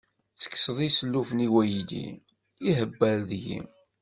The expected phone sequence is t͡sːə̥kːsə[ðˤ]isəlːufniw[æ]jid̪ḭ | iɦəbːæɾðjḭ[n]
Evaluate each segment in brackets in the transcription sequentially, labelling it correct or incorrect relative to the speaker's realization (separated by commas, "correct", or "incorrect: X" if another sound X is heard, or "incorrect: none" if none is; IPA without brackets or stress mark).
correct, correct, incorrect: m